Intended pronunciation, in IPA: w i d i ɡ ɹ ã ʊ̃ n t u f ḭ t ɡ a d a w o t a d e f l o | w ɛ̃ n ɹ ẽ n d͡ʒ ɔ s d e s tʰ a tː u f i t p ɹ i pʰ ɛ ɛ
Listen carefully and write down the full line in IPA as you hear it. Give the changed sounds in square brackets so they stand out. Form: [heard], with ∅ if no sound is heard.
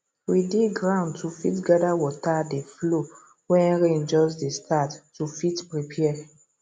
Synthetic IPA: w i d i ɡ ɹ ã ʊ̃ n t u f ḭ t ɡ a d a w [ɔ] t a d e f l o | w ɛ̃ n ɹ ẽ n d͡ʒ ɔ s d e s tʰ a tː u f i t p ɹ i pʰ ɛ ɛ